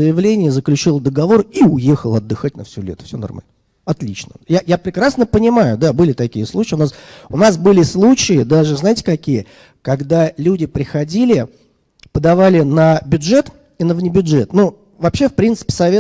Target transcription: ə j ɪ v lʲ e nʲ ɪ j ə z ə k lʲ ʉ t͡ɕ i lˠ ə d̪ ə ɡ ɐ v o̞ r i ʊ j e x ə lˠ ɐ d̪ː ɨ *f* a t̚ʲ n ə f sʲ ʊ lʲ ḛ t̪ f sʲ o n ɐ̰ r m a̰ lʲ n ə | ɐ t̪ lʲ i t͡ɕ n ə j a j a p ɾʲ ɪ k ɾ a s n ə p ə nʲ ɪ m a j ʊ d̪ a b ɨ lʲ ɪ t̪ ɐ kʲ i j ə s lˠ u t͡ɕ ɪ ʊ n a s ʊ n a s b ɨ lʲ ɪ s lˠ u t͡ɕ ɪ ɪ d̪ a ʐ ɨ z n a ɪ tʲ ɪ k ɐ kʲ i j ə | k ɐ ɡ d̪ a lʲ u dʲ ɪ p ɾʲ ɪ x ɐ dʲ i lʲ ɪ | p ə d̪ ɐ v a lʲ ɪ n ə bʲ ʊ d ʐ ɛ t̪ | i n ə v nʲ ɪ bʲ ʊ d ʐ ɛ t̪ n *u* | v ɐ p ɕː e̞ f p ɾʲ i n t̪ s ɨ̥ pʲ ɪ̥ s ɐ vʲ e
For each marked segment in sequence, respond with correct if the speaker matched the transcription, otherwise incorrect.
incorrect: x, correct

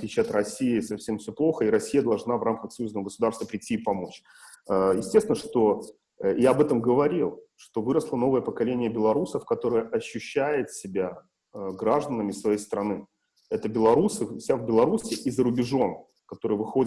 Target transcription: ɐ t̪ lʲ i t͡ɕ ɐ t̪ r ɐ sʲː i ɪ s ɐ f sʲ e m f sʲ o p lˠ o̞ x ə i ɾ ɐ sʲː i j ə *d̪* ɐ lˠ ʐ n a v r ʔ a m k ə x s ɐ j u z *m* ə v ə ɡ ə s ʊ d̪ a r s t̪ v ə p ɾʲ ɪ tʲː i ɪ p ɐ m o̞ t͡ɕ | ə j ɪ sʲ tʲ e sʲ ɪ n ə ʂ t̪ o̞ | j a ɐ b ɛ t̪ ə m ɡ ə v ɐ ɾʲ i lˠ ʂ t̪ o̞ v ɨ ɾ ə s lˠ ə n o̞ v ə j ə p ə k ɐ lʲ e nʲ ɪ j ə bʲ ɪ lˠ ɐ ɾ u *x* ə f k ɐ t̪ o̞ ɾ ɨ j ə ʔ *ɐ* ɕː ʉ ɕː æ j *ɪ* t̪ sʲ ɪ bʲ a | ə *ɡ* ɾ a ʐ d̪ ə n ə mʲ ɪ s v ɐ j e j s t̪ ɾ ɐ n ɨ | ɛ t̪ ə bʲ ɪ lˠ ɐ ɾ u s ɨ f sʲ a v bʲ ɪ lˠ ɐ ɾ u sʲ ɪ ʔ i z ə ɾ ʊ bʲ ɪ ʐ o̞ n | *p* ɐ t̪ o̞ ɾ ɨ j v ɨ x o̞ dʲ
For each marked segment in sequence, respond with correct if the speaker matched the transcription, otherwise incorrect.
correct, incorrect: n, incorrect: s, correct, correct, correct, incorrect: k

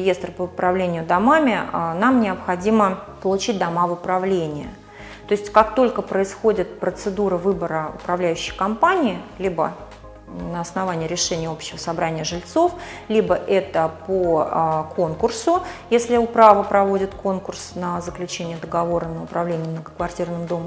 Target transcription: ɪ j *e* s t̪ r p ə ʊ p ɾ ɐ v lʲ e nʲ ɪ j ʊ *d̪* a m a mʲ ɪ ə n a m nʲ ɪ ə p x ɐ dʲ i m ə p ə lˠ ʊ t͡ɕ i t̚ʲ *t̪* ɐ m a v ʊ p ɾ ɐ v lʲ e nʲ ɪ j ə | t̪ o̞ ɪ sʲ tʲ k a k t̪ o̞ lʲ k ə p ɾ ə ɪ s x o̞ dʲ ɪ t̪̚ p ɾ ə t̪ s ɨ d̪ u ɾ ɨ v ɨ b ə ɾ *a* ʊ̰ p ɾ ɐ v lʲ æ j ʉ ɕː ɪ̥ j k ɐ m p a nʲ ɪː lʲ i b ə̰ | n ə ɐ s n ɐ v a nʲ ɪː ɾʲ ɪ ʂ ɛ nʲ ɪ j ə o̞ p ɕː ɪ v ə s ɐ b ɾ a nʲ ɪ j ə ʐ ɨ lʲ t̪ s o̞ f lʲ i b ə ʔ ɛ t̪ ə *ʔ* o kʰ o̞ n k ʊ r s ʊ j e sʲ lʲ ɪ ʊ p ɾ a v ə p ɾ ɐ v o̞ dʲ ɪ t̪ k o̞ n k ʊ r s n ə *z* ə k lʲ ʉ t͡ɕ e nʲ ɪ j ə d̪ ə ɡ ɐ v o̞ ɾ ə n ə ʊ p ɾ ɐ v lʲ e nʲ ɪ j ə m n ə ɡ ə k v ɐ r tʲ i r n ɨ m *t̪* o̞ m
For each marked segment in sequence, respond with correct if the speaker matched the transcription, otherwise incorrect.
correct, correct, incorrect: d̪, incorrect: ə, incorrect: p, correct, incorrect: d̪

